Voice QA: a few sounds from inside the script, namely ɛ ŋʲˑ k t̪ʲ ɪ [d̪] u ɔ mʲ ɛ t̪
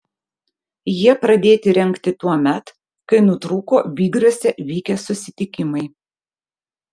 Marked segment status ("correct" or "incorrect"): incorrect